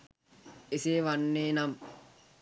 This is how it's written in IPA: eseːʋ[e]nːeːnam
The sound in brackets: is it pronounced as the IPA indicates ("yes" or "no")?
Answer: no